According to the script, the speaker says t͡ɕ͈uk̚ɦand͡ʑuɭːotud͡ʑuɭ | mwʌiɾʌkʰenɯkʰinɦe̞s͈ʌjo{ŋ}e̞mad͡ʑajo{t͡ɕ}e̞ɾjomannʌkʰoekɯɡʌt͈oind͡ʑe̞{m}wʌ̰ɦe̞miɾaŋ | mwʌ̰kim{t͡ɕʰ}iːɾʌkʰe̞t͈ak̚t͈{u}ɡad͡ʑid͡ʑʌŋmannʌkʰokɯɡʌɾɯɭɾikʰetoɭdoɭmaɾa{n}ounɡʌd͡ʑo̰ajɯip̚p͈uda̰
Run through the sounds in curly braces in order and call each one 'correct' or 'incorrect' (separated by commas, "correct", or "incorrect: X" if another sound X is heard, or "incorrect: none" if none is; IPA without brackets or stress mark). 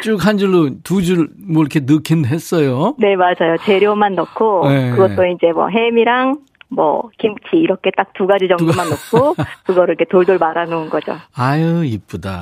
incorrect: n, correct, correct, correct, correct, correct